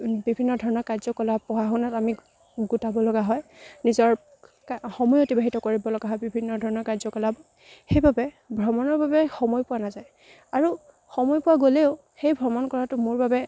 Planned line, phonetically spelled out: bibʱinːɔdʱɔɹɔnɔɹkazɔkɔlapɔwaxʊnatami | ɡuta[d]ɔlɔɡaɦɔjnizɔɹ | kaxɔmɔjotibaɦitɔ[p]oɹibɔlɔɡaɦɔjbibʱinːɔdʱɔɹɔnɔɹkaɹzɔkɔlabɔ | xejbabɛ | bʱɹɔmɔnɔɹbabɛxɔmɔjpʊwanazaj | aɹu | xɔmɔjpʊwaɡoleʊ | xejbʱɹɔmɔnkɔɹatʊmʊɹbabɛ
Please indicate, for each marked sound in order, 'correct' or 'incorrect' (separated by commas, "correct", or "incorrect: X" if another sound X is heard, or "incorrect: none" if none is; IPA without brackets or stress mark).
incorrect: b, incorrect: k